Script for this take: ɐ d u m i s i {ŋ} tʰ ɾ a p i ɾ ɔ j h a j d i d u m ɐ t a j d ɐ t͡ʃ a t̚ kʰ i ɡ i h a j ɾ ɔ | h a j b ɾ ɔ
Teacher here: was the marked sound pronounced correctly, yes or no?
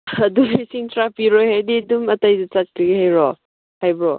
yes